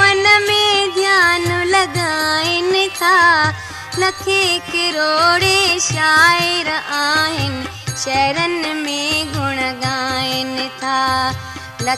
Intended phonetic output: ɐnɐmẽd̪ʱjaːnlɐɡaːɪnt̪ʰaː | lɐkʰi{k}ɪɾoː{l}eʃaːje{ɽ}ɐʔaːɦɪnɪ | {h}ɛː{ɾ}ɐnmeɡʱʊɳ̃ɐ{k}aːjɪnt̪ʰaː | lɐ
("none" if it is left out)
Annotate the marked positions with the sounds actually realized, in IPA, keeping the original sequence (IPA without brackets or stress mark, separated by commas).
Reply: k, ɽ, ɾ, ʃ, ɾ, ɡ